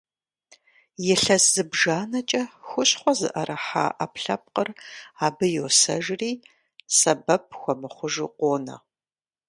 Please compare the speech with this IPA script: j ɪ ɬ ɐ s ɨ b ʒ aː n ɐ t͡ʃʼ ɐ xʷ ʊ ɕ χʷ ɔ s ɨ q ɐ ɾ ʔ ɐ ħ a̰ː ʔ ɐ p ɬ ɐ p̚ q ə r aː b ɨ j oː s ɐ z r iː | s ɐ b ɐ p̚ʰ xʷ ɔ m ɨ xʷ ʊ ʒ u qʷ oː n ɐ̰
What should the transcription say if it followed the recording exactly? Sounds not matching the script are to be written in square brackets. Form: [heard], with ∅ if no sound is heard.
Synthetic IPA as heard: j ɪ ɬ ɐ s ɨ b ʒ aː n ɐ t͡ʃʼ ɐ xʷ ʊ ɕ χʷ ɔ [z] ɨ [ʔ] ɐ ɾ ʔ ɐ ħ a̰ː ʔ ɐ p ɬ ɐ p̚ q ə r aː b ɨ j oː s ɐ [ʒ] r iː | s ɐ b ɐ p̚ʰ xʷ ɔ m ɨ [χʷ] ʊ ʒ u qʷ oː n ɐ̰